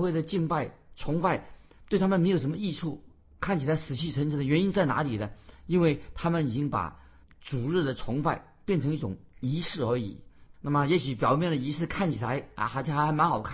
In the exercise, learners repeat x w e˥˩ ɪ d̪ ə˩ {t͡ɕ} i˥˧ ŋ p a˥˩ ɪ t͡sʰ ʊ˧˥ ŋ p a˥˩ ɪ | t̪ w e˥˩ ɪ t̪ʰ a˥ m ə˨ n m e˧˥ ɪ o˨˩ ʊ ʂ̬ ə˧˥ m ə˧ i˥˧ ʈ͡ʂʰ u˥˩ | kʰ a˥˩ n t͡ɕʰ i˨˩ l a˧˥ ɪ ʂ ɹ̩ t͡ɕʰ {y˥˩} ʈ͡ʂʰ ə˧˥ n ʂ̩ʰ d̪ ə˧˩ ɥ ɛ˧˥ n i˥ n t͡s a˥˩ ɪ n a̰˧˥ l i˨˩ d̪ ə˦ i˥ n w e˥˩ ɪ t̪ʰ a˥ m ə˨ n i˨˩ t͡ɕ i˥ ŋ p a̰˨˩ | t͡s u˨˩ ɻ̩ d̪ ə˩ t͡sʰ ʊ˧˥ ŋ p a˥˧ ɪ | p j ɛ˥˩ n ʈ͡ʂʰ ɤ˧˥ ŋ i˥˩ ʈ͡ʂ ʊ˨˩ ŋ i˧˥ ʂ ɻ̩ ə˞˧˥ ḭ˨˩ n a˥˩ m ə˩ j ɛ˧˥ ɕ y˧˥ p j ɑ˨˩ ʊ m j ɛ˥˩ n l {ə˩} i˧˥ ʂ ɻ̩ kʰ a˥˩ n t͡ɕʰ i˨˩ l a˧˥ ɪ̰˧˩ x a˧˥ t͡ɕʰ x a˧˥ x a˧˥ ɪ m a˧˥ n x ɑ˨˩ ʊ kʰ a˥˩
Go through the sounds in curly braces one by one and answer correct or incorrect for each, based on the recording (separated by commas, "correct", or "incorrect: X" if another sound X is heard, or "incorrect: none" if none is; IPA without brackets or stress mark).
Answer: correct, incorrect: i˥˩, correct